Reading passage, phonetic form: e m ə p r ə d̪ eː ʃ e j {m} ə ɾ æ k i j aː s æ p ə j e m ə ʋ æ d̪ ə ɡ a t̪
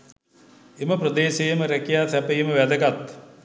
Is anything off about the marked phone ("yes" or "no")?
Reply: no